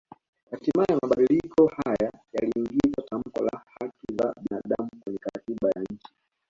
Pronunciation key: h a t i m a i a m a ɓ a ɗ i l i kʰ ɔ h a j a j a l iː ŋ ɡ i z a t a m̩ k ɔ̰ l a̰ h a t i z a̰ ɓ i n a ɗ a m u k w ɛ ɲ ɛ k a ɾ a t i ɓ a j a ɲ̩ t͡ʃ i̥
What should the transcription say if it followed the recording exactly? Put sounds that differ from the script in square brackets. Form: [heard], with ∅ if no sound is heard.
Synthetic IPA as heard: h a t i m a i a m a ɓ a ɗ i l i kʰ ɔ h a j a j a l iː ŋ ɡ i z a t a m̩ k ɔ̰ l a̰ h a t i z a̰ ɓ i n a ɗ a m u k w ɛ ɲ ɛ k a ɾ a t i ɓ a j a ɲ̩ t͡ʃ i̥